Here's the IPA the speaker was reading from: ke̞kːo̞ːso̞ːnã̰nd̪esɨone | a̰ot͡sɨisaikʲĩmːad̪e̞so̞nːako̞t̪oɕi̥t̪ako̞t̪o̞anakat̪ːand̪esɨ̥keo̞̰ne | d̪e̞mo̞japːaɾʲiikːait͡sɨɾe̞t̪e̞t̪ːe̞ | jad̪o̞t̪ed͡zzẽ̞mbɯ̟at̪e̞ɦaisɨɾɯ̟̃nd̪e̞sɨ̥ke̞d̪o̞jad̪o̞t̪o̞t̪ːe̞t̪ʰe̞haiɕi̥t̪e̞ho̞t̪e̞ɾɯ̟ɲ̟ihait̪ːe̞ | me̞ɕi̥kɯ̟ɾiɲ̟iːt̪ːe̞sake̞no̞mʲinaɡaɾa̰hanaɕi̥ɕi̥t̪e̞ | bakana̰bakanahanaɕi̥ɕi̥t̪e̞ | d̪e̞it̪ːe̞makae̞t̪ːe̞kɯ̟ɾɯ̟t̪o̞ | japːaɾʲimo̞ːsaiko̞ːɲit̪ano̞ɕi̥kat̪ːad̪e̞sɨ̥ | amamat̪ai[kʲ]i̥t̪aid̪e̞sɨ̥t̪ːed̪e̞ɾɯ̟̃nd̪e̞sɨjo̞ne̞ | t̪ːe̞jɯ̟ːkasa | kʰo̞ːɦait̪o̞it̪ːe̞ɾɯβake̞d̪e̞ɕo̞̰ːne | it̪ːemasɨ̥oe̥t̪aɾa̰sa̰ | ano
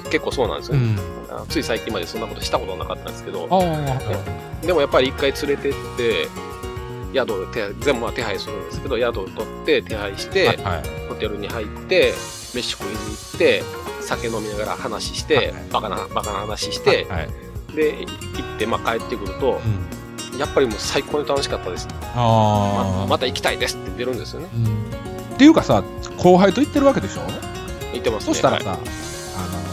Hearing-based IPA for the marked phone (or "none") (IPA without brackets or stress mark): kʲ